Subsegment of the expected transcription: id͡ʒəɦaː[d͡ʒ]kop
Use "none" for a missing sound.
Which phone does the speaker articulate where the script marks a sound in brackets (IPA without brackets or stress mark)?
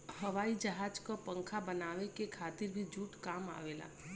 d͡ʒ